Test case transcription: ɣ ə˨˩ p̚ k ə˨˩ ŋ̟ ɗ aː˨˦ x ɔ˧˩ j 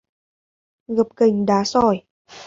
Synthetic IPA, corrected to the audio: ɣ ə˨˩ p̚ k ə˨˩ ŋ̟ ɗ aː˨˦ s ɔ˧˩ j